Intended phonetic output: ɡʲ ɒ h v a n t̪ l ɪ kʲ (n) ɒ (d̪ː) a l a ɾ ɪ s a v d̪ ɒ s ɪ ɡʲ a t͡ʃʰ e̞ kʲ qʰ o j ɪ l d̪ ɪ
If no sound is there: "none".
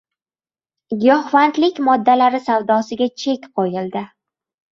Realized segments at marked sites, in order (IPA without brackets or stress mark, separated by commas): m, d̪ː